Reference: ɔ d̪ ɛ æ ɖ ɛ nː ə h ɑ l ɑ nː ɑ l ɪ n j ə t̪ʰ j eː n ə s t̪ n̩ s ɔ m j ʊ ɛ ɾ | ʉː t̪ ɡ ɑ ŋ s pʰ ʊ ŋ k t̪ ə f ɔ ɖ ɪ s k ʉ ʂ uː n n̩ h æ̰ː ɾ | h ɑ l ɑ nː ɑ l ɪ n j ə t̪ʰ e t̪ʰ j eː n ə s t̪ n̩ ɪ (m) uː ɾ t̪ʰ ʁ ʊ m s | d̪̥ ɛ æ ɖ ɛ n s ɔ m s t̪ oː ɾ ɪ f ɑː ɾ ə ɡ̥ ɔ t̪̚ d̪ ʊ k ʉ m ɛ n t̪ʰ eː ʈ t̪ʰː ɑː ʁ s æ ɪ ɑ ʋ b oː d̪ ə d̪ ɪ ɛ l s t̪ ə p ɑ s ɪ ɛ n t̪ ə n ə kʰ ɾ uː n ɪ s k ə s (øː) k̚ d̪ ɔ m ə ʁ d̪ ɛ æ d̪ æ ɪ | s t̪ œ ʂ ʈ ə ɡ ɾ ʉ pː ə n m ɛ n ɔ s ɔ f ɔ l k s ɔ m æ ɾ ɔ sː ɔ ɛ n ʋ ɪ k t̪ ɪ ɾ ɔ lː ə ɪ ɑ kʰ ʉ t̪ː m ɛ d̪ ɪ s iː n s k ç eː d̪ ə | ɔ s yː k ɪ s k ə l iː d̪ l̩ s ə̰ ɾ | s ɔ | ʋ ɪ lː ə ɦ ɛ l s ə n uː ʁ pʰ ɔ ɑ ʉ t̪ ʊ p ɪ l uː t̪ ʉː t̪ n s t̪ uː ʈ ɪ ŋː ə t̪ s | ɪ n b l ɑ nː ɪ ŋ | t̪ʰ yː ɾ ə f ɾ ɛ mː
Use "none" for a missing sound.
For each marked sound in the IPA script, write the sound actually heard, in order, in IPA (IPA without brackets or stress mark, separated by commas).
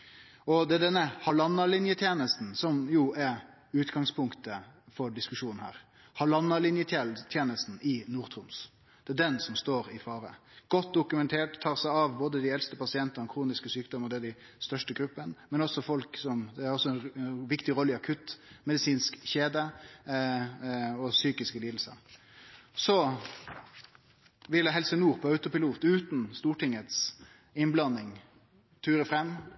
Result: n, yː